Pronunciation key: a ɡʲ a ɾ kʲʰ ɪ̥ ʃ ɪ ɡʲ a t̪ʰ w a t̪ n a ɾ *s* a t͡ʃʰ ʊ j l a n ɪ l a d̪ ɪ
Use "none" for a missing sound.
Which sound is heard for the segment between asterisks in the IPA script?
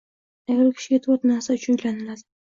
s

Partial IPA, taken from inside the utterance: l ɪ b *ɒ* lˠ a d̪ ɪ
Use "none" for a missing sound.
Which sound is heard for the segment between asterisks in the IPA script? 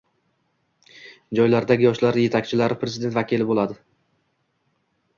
o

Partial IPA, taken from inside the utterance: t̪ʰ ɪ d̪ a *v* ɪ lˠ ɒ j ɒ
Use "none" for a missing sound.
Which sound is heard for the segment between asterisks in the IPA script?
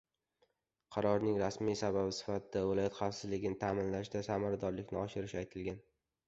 v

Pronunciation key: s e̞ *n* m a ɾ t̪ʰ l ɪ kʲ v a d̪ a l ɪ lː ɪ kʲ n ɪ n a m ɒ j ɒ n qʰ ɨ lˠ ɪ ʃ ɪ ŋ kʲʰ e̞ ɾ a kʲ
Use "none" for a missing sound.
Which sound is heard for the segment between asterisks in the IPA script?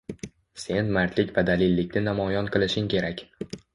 n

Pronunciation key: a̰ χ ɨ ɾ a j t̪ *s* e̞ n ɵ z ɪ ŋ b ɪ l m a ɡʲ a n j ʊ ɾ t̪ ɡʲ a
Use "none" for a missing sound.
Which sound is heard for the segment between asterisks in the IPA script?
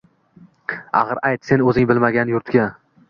s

